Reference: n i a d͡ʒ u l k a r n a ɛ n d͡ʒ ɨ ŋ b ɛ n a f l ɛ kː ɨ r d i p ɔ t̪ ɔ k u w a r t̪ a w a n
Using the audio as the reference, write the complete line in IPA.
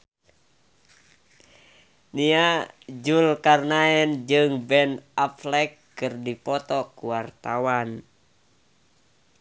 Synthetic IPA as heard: n i a d͡ʒ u l k a r n a ɛ n d͡ʒ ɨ ŋ b ɛ n a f l ɛ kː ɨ r d i p ɔ t̪ ɔ k u w a r t̪ a w a n